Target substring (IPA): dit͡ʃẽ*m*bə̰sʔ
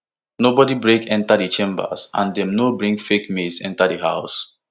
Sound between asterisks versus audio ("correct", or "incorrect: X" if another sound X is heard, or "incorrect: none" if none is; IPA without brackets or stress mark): correct